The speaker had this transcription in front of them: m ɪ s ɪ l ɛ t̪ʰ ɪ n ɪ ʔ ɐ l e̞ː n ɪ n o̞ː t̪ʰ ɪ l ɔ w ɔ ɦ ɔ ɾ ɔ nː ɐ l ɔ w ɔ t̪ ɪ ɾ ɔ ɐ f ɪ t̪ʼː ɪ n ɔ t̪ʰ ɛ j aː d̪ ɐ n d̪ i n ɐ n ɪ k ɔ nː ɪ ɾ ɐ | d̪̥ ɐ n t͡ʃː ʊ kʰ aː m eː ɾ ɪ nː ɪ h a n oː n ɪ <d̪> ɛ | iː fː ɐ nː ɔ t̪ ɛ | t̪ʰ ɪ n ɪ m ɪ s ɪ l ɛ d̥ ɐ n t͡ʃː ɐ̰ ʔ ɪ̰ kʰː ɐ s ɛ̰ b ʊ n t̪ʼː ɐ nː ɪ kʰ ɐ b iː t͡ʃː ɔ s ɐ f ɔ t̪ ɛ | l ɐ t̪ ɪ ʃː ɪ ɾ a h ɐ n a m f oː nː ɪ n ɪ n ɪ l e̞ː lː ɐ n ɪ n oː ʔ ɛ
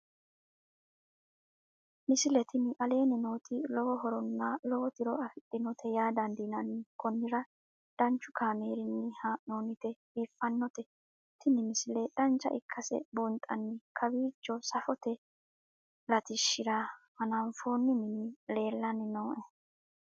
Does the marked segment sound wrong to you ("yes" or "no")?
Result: yes